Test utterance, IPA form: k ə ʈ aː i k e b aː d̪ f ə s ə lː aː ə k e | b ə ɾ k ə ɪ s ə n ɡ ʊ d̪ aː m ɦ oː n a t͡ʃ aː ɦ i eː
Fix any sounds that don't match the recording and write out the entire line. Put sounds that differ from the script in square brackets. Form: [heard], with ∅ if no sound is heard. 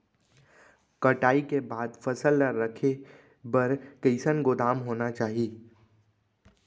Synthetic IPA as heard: k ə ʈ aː i k e b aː d̪ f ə s ə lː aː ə [kʰ] e | b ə ɾ k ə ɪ s ə n ɡ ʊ d̪ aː m ɦ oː n a t͡ʃ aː ɦ i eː

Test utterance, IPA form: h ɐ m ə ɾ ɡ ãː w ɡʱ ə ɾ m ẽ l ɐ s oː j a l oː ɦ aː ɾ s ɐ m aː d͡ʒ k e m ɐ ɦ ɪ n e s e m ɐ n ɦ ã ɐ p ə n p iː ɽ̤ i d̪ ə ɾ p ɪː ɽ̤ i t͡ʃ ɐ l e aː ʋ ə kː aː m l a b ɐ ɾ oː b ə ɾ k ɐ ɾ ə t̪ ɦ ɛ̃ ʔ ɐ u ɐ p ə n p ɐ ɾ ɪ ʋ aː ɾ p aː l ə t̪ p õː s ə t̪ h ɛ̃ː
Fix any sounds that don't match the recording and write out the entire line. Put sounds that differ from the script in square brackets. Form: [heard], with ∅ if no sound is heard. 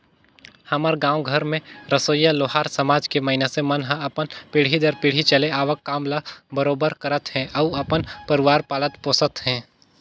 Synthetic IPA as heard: h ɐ m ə ɾ ɡ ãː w ɡʱ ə ɾ m ẽ [ɾ] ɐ s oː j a l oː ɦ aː ɾ s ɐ m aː d͡ʒ k e m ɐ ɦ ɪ n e s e m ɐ n ɦ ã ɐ p ə n p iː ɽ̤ i d̪ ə ɾ p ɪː ɽ̤ i t͡ʃ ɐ l e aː ʋ ə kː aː m l a b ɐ ɾ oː b ə ɾ k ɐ ɾ ə t̪ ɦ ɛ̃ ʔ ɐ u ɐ p ə n p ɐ ɾ ɪ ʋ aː ɾ p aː l ə t̪ p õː s ə t̪ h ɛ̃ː

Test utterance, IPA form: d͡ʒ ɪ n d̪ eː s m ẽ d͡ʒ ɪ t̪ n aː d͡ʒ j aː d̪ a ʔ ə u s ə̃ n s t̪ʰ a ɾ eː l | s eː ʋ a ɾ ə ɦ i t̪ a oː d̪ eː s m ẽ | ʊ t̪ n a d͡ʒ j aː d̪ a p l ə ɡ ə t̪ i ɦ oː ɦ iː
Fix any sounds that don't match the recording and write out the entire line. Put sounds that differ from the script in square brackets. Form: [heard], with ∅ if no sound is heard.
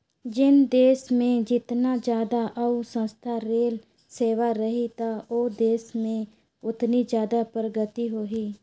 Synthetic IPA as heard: d͡ʒ ɪ n d̪ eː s m ẽ d͡ʒ ɪ t̪ n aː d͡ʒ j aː d̪ a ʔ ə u s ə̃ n s t̪ʰ a ɾ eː l | s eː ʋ a ɾ ə ɦ i t̪ a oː d̪ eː s m ẽ | ʊ t̪ n [i] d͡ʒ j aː d̪ a p [ɾ] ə ɡ ə t̪ i ɦ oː ɦ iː

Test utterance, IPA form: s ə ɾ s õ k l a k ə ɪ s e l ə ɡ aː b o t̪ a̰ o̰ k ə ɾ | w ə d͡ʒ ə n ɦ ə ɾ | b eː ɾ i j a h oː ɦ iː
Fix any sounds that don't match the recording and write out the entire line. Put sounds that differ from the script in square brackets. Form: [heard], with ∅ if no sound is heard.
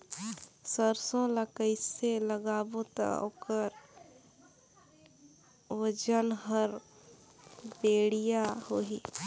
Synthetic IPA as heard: s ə ɾ s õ [∅] l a k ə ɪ s e l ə ɡ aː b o t̪ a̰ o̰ k ə ɾ | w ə d͡ʒ ə n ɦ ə ɾ | b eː [ɽ] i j a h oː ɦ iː

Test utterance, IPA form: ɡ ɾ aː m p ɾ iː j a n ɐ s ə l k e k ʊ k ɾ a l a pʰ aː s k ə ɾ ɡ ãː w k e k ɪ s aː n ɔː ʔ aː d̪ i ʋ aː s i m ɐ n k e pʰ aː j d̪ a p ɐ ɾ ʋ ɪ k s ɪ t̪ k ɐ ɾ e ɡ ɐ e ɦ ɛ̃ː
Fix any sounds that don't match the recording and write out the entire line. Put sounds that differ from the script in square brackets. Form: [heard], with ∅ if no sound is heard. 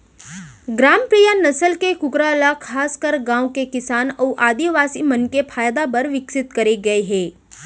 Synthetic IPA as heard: ɡ ɾ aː m p ɾ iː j a n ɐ s ə l k e k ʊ k ɾ a l a [kʰ] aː s k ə ɾ ɡ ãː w k e k ɪ s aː n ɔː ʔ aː d̪ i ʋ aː s i m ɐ n k e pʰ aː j d̪ a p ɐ ɾ ʋ ɪ k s ɪ t̪ k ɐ ɾ e ɡ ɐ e ɦ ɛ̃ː

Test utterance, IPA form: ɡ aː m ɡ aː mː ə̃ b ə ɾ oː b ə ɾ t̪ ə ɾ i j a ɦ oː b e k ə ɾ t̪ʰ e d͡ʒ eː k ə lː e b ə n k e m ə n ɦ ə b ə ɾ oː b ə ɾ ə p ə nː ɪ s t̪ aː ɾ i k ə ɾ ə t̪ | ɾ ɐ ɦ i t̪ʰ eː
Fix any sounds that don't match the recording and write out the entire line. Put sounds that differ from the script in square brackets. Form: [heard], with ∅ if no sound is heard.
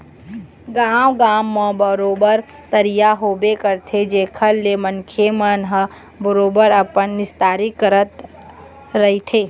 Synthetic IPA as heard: ɡ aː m ɡ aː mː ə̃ b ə ɾ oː b ə ɾ t̪ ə ɾ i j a ɦ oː b e k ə ɾ t̪ʰ e d͡ʒ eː [kʰ] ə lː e [m] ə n [kʰ] e m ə n ɦ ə b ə ɾ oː b ə ɾ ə p ə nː ɪ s t̪ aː ɾ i k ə ɾ ə t̪ | ɾ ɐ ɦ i t̪ʰ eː

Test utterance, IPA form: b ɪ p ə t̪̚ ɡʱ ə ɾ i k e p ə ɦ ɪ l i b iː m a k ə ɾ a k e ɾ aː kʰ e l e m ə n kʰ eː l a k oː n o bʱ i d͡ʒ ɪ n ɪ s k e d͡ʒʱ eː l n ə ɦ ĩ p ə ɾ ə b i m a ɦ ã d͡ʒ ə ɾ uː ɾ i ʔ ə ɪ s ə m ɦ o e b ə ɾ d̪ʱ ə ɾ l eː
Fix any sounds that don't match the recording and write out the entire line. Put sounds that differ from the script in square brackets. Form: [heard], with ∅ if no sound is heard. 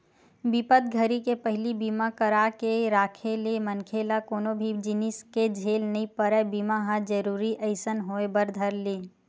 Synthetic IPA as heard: b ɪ p ə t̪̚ ɡʱ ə ɾ i k e p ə ɦ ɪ l i b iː m a k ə ɾ a k e ɾ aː kʰ e l e m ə n kʰ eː l a k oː n o bʱ i d͡ʒ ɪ n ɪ s k e d͡ʒʱ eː l n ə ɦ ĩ p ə ɾ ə b i m a ɦ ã d͡ʒ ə ɾ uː ɾ i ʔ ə ɪ s ə [n] ɦ o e b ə ɾ d̪ʱ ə ɾ l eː

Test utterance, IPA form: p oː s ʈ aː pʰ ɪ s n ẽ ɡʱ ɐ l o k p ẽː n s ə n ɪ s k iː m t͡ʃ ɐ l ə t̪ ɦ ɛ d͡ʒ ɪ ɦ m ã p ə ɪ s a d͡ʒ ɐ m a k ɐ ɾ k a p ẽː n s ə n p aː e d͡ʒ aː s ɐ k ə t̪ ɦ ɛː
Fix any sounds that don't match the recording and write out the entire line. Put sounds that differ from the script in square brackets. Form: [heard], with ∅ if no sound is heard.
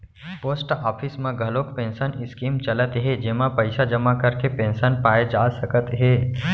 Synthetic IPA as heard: p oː s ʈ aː pʰ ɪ s [m] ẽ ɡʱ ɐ l o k p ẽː n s ə n ɪ s k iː m t͡ʃ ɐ l ə t̪ ɦ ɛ d͡ʒ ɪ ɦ m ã p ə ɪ s a d͡ʒ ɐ m a k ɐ ɾ k [e] p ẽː n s ə n p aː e d͡ʒ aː s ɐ k ə t̪ ɦ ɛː

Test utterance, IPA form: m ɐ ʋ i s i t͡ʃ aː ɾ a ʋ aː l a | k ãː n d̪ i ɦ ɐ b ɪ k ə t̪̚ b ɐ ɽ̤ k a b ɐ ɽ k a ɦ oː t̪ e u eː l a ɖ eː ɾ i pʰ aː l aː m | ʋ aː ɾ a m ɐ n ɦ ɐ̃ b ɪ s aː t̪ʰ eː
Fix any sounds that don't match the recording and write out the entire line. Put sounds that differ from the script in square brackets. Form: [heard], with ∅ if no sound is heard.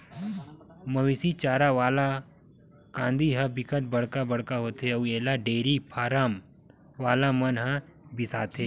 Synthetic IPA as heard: m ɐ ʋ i s i t͡ʃ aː ɾ a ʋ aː l a | k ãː n d̪ i ɦ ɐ b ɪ k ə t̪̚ b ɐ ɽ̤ k a b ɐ ɽ k a ɦ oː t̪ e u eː l a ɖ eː ɾ i pʰ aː [ɾ] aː m | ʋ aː [l] a m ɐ n ɦ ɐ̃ b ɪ s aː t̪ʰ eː

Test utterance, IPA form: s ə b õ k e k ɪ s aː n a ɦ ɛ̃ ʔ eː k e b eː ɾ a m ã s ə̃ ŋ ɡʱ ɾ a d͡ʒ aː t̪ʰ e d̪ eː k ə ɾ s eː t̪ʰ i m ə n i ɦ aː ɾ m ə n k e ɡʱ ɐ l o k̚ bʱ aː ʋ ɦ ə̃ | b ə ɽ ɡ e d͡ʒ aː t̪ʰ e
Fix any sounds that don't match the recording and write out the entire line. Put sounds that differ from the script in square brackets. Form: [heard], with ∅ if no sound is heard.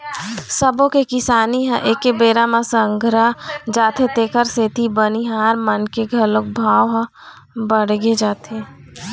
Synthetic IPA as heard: s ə b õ k e k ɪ s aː n [i] ɦ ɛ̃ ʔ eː k e b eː ɾ a m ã s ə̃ ŋ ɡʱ ɾ a d͡ʒ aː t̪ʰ e [t̪] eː k ə ɾ s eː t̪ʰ i [b] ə n i ɦ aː ɾ m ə n k e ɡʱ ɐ l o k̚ bʱ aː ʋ ɦ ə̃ | b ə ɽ ɡ e d͡ʒ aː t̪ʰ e

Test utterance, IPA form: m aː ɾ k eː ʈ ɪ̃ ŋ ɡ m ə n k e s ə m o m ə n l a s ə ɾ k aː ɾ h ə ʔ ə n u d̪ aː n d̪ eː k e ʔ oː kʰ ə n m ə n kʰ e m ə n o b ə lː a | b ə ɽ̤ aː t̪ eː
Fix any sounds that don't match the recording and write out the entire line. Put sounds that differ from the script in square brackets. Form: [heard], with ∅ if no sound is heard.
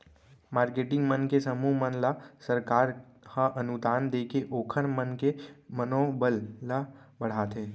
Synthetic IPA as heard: m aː ɾ k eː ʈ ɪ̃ ŋ ɡ m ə n k e s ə m [u] m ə n l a s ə ɾ k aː ɾ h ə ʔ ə n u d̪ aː n d̪ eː k e ʔ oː kʰ ə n m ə n [k] e m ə n o b ə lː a | b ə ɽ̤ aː t̪ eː

